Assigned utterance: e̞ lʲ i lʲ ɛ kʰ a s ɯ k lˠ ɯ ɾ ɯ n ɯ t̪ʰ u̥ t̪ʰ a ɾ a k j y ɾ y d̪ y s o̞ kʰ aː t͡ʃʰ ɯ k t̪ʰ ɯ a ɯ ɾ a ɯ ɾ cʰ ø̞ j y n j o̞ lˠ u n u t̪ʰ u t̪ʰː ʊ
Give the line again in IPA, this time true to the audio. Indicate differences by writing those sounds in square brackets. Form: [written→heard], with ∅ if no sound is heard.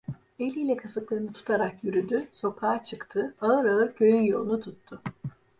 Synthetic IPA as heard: e̞ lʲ i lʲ ɛ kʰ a s ɯ k lˠ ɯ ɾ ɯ n ɯ t̪ʰ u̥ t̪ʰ a ɾ a k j y ɾ y d̪ y s o̞ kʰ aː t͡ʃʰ ɯ k t̪ʰ ɯ a ɯ ɾ a ɯ ɾ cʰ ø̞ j y n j o̞ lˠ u n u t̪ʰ u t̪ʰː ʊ